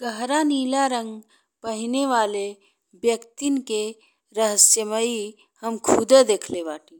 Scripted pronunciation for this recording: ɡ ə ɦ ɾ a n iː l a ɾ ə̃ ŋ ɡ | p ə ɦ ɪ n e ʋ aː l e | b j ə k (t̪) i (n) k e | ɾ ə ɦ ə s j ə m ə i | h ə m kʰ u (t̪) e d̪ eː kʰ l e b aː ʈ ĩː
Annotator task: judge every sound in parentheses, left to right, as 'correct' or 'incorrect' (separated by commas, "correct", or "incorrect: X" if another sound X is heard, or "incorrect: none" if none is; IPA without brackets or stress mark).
correct, correct, incorrect: d̪